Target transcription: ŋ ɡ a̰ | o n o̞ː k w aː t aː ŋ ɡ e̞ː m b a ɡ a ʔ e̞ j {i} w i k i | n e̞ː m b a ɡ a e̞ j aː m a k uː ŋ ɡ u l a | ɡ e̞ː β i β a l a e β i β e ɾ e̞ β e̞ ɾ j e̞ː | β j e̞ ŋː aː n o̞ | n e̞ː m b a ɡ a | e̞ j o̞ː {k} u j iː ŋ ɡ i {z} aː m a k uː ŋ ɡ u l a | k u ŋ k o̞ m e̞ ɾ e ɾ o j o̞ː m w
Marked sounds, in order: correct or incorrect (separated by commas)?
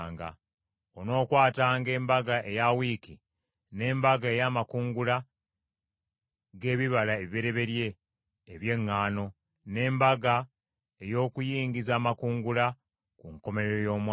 incorrect, correct, correct